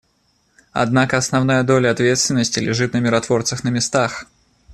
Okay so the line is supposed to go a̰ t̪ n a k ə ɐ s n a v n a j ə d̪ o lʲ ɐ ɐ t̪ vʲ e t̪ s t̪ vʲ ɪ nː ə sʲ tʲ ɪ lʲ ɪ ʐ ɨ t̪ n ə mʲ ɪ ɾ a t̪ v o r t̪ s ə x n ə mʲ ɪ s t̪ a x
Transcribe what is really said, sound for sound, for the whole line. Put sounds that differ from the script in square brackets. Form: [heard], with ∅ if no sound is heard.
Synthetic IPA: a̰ [d̪] n a k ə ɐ s n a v n a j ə d̪ o lʲ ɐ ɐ t̪ vʲ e t̪ s t̪ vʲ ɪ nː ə sʲ tʲ ɪ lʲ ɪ ʐ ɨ t̪ n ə mʲ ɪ ɾ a t̪ v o r t̪ s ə x n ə mʲ ɪ s t̪ a x

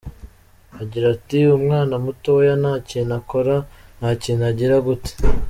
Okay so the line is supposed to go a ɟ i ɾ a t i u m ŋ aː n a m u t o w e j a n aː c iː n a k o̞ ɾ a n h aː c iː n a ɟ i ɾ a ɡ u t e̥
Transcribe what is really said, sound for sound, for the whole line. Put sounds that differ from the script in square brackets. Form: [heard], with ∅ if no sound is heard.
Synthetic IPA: a ɟ i ɾ a t i u m ŋ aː n a m u t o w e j a n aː c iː n a k o̞ ɾ a n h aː c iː n a ɟ i ɾ a ɡ u t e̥

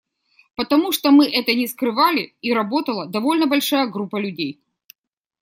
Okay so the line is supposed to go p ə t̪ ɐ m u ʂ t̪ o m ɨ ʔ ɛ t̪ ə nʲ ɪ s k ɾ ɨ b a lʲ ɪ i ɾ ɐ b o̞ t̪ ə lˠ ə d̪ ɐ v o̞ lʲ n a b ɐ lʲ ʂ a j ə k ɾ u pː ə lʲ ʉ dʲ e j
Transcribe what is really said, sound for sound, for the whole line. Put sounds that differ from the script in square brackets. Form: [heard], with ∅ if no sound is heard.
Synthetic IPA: p ə t̪ ɐ m u ʂ t̪ o m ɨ ʔ ɛ t̪ ə nʲ ɪ s k ɾ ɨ [v] a lʲ ɪ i ɾ ɐ b o̞ t̪ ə lˠ ə d̪ ɐ v o̞ lʲ n [ə] b ɐ lʲ ʂ a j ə [ɡ] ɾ u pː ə lʲ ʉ dʲ e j

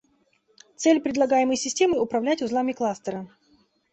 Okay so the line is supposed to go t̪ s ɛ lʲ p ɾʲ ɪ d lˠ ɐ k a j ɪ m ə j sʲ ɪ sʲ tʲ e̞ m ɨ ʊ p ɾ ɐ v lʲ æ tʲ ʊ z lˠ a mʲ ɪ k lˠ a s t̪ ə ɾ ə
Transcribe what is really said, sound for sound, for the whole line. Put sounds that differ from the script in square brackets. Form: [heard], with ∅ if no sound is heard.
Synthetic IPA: t̪ s ɛ lʲ p ɾʲ ɪ d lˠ ɐ [ɡ] a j ɪ m ə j sʲ ɪ sʲ tʲ e̞ m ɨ ʊ p ɾ ɐ v lʲ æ tʲ ʊ z lˠ a mʲ ɪ k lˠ a s t̪ ə ɾ ə

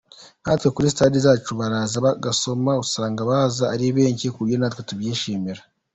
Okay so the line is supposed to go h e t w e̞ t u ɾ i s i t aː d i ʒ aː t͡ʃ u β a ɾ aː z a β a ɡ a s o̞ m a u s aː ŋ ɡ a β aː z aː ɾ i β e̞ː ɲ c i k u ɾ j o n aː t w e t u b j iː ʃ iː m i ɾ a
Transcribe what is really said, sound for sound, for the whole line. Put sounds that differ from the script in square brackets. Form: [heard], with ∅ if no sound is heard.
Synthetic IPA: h [a] t w e̞ [k] u ɾ i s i t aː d i [z] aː t͡ʃ u β a ɾ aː z a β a ɡ a s o̞ m a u s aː ŋ ɡ a β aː z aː ɾ i β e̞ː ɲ c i k u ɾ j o n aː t w e t u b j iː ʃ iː m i ɾ a

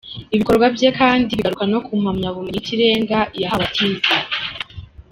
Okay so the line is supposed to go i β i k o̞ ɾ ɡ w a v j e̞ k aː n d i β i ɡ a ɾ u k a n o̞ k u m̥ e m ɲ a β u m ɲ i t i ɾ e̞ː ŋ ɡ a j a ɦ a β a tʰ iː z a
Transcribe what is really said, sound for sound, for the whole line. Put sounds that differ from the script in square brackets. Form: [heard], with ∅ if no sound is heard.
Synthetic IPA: i β i k o̞ ɾ ɡ w a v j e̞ k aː n d i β i ɡ a ɾ u k a n o̞ k u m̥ [a] m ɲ a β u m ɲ i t i ɾ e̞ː ŋ ɡ a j a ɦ a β a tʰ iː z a

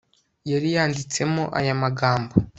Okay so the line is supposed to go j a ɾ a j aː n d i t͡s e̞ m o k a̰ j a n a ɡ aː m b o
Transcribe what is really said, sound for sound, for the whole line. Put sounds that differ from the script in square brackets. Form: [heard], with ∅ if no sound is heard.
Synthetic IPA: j a ɾ [i] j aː n d i t͡s e̞ m o [ʔ] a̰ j a [m] a ɡ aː m b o

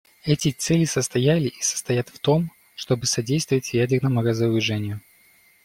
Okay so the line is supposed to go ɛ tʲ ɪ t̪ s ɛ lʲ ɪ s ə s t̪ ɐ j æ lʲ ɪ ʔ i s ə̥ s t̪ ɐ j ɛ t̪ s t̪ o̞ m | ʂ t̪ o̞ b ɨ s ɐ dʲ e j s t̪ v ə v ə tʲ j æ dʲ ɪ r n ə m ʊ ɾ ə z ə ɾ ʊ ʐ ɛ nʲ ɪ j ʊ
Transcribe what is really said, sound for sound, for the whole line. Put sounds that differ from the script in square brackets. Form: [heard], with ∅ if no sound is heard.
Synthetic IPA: ɛ tʲ ɪ t̪ s ɛ lʲ ɪ s ə s t̪ ɐ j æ lʲ ɪ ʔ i s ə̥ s t̪ ɐ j [a] t̪ [f] t̪ o̞ m | ʂ t̪ o̞ b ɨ s ɐ dʲ e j s t̪ v ə v ə tʲ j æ dʲ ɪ r n ə m ʊ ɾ ə z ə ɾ ʊ ʐ ɛ nʲ ɪ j ʊ

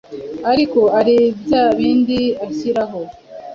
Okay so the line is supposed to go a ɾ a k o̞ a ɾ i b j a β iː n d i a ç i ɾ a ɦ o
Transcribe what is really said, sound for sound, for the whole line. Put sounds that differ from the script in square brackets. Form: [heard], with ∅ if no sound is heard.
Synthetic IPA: a ɾ [i] k o̞ a ɾ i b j a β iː n d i a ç i ɾ a ɦ o

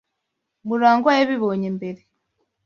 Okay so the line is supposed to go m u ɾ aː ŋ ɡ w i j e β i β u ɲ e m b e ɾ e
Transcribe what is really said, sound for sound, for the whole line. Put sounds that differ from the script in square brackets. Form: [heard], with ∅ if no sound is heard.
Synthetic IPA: m u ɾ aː ŋ ɡ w [a] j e β i β [o] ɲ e m b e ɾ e

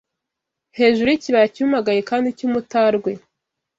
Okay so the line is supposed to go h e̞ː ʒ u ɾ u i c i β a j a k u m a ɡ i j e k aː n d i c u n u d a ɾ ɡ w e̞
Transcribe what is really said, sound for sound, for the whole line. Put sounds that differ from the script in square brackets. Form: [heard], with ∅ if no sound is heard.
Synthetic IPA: h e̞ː ʒ u ɾ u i c i β a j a [c] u m a ɡ [a] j e k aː n d i c u [m] u [t] a ɾ ɡ w e̞

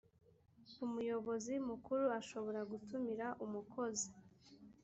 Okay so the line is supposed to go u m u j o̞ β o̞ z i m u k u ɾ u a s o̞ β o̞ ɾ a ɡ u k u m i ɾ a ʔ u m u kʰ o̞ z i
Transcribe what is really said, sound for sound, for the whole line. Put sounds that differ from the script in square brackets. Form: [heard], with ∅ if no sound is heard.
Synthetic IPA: u m u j o̞ β o̞ z i m u k u ɾ u a [ʃ] o̞ β o̞ ɾ a ɡ u [t] u m i ɾ a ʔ u m u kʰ o̞ z i

